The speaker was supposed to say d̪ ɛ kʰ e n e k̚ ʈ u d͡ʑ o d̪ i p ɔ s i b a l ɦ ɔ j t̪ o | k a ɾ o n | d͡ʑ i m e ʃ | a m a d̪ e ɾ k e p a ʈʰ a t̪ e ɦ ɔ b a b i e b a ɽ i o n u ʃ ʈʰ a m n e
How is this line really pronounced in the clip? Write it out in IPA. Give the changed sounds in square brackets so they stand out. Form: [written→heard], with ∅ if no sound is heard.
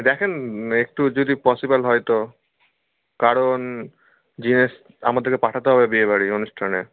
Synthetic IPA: d̪ ɛ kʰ e n e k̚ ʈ u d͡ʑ o d̪ i p ɔ s i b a l ɦ ɔ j t̪ o | k a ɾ o n | d͡ʑ i [m→n] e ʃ | a m a d̪ e ɾ k e p a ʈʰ a t̪ e ɦ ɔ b [a→e] b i e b a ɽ i o n u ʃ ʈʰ a [m→∅] n e